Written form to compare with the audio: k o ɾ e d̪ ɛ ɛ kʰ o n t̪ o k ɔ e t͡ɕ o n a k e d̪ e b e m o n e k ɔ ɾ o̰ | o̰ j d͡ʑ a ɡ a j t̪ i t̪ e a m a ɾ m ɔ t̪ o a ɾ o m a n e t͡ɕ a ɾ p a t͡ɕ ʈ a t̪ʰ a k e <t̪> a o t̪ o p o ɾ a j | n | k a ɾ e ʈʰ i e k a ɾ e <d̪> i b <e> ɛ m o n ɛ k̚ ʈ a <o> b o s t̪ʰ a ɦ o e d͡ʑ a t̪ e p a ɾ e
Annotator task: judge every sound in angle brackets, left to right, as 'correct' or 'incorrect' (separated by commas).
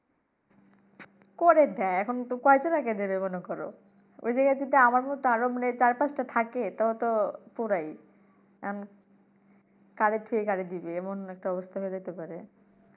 correct, correct, correct, incorrect